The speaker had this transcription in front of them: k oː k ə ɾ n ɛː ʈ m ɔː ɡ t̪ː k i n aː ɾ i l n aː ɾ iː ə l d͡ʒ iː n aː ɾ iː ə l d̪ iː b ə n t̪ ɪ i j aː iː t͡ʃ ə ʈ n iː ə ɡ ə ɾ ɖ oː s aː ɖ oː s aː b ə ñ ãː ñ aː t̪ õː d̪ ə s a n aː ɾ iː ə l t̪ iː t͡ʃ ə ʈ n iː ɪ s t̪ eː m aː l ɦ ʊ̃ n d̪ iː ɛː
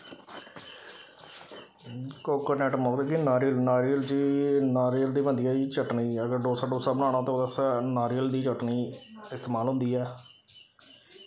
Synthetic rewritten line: k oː k ə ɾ n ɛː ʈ m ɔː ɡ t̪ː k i n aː ɾ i l n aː ɾ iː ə l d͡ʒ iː n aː ɾ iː ə l d̪ iː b ə n d̪ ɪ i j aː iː t͡ʃ ə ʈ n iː ə ɡ ə ɾ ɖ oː s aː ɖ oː s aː b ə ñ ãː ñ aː t̪ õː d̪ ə s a n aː ɾ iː ə l d̪ iː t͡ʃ ə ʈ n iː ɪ s t̪ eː m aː l ɦ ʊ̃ n d̪ iː ɛː

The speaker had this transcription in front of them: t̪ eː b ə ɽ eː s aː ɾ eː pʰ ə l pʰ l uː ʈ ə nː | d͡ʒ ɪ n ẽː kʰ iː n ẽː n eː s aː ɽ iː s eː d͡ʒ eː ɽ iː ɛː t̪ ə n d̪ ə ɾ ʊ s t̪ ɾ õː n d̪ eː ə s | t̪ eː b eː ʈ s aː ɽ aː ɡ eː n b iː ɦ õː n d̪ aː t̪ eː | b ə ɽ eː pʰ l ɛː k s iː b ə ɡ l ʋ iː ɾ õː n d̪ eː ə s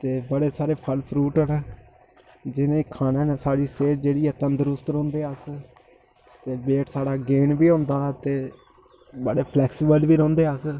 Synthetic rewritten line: t̪ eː b ə ɽ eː s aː ɾ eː pʰ ə l pʰ ɾ uː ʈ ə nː | d͡ʒ ɪ n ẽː kʰ aː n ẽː n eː s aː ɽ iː s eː d͡ʒ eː ɽ iː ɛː t̪ ə n d̪ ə ɾ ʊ s t̪ ɾ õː n d̪ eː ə s | t̪ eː b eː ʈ s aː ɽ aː ɡ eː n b iː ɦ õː n d̪ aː t̪ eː | b ə ɽ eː pʰ l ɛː k s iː b ə l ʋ iː ɾ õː n d̪ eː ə s

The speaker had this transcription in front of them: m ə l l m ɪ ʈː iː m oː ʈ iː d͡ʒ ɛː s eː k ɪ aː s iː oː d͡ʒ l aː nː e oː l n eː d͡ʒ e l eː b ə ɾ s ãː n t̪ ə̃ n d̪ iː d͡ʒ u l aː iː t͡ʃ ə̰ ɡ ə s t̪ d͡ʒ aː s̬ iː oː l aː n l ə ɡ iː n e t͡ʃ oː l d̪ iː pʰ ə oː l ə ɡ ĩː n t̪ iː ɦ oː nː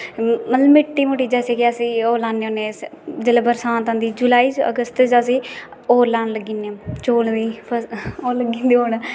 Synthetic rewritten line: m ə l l m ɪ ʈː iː m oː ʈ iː d͡ʒ ɛː s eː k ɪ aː s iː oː l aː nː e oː n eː d͡ʒ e l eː b ə ɾ s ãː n t̪ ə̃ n d̪ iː d͡ʒ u l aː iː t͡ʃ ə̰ ɡ ə s t̪ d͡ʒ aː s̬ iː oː l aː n l ə ɡ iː n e t͡ʃ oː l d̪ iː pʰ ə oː l ə ɡ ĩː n d̪ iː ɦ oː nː

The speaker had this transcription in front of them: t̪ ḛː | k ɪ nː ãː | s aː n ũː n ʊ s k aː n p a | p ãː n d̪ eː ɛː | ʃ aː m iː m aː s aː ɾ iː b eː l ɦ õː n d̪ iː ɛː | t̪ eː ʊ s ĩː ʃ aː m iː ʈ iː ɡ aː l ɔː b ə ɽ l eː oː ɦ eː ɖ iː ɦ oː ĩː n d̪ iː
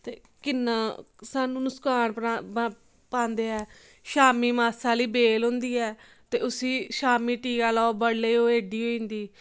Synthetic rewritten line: t̪ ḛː | k ɪ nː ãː | s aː n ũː n ʊ s k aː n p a | p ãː n d̪ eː ɛː | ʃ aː m iː m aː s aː l iː b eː l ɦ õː n d̪ iː ɛː | t̪ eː ʊ s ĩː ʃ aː m iː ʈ iː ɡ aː l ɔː b ə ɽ l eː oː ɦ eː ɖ iː ɦ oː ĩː n d̪ iː

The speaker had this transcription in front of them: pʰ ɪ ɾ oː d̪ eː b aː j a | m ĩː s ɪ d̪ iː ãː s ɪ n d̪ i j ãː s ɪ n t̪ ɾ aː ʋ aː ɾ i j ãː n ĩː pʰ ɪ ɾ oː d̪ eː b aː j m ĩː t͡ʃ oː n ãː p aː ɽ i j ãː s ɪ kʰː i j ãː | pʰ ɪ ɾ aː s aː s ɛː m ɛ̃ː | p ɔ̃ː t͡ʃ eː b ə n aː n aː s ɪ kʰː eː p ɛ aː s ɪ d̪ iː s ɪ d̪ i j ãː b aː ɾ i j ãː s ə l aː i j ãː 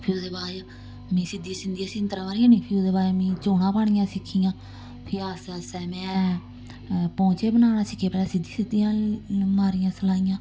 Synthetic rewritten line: pʰ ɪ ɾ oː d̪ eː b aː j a | m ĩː s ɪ d̪ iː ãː s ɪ n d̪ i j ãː s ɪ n t̪ ɾ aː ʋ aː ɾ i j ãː n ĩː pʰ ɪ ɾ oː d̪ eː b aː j m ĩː t͡ʃ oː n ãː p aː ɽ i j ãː s ɪ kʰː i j ãː | pʰ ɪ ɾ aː s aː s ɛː m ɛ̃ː | p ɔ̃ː t͡ʃ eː b ə n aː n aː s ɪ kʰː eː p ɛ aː s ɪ d̪ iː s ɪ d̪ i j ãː m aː ɾ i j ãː s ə l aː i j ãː

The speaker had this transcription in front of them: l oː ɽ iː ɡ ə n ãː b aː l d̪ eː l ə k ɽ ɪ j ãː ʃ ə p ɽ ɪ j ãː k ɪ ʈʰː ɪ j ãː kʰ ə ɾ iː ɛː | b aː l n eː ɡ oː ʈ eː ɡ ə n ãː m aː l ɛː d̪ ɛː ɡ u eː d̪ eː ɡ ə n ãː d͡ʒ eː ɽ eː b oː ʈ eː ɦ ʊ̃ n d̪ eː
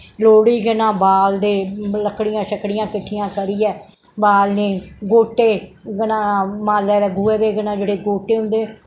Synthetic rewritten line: l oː ɽ iː ɡ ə n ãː b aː l d̪ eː l ə k ɽ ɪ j ãː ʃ ə k ɽ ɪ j ãː k ɪ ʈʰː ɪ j ãː k ə ɾ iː ɛː | b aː l n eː ɡ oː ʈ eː ɡ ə n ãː m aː l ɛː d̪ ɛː ɡ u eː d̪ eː ɡ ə n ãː d͡ʒ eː ɽ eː ɡ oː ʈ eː ɦ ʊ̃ n d̪ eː

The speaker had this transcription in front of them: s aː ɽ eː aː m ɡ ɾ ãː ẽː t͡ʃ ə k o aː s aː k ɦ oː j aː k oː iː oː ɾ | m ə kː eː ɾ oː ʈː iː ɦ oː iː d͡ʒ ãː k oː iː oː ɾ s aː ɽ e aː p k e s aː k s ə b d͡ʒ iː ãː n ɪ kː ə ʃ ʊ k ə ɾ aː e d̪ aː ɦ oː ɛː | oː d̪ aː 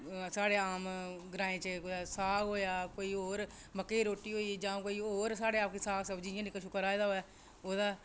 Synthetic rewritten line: s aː ɽ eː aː m ɡ ɾ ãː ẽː t͡ʃ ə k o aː s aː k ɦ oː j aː k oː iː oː ɾ | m ə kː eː ɾ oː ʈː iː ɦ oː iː d͡ʒ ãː k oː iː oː ɾ s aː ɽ e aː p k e s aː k s ə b d͡ʒ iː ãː n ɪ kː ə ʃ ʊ k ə ɾ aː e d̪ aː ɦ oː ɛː | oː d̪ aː

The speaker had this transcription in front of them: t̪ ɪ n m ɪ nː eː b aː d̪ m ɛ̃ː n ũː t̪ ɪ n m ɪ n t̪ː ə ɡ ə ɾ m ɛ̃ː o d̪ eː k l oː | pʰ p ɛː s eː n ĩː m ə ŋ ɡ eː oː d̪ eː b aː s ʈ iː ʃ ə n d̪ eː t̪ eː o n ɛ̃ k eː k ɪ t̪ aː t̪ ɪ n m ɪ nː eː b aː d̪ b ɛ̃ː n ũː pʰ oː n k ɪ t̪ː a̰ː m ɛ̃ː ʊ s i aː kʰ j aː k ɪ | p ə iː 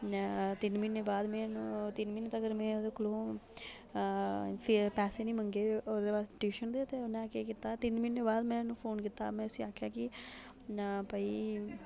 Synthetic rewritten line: t̪ ɪ n m ɪ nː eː b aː d̪ m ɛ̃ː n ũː t̪ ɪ n m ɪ n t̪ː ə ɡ ə ɾ m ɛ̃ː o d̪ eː k l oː | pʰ p ɛː s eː n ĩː m ə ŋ ɡ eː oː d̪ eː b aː s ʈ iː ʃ ə n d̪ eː t̪ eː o n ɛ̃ k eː k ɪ t̪ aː t̪ ɪ n m ɪ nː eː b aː d̪ m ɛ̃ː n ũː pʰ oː n k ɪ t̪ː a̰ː m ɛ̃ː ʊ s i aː kʰ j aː k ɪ | p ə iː

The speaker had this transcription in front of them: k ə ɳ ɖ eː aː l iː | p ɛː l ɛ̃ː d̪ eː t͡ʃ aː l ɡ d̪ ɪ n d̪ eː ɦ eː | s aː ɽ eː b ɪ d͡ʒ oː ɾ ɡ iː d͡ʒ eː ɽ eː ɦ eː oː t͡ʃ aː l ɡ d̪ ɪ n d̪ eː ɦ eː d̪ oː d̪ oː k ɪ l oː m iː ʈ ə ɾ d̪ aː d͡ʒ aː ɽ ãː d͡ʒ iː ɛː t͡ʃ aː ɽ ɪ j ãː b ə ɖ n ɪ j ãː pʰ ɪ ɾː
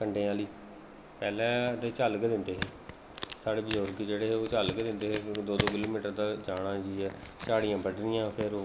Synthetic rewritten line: k ə ɳ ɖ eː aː l iː | p ɛː l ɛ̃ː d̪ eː t͡ʃ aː l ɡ d̪ ɪ n d̪ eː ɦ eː | s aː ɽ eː b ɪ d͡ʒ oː ɾ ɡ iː d͡ʒ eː ɽ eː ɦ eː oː t͡ʃ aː l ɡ d̪ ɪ n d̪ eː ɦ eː d̪ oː d̪ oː k ɪ l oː m iː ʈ ə ɾ d̪ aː d͡ʒ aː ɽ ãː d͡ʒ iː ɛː t͡ʃ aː ɽ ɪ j ãː b ə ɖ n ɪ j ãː pʰ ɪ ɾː

